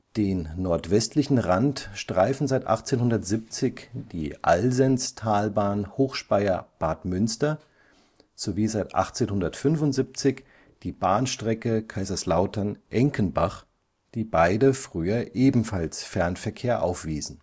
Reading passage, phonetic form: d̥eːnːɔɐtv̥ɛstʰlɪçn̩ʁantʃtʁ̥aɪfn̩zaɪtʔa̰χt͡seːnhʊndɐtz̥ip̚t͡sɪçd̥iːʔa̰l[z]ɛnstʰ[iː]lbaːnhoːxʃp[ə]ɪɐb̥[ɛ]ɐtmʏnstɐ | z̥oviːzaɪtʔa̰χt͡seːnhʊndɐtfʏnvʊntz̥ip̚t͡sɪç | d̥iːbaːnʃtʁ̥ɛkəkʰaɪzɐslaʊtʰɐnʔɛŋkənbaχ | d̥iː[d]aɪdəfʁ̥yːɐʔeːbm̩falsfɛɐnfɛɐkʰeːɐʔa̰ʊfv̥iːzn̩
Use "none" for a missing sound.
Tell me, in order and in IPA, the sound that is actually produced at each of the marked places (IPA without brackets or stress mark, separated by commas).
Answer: z, aː, a, a, b